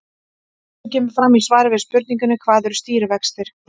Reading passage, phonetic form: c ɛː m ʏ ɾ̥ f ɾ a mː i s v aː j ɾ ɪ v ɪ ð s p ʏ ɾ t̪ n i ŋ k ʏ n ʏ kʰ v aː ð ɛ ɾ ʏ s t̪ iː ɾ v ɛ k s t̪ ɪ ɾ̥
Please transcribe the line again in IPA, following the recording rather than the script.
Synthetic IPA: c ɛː m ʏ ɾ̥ f ɾ a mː i s v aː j ɾ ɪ v ɪ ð s p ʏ ɾ t̪ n i ŋ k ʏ n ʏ kʰ v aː ð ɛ ɾ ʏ s t̪ iː ɾ v ɛ k s t̪ ɪ ɾ̥